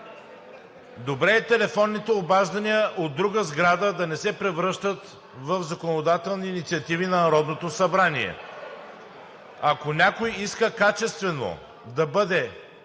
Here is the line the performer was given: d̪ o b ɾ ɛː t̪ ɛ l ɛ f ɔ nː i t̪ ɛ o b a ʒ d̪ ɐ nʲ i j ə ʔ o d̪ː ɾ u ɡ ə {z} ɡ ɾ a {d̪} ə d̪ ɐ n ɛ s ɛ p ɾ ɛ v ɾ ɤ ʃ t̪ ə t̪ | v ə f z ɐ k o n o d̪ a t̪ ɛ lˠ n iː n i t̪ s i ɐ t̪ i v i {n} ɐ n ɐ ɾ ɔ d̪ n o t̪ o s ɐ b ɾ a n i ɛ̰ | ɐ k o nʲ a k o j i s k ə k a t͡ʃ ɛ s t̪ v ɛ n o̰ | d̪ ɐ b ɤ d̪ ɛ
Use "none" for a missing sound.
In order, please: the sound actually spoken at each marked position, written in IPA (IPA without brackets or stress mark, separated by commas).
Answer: z, d̪, n